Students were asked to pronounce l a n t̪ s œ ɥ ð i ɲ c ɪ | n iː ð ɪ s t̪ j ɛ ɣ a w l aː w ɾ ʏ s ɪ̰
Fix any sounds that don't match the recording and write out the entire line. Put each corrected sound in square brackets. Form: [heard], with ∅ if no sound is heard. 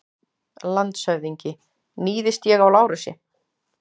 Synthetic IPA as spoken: l a n t̪ s œ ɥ ð i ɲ c ɪ | n iː ð ɪ s t̪ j ɛ ɣ a w l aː w ɾ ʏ s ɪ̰